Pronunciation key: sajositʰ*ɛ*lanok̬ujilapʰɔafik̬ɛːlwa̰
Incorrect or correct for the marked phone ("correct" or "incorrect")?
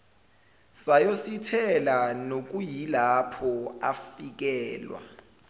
correct